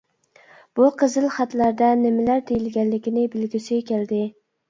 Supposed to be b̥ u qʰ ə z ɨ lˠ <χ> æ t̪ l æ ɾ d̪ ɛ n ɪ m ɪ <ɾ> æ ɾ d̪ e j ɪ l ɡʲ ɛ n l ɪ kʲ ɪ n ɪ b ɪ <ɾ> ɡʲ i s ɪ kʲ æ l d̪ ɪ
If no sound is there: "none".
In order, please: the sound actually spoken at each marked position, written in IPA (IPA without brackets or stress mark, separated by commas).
χ, l, l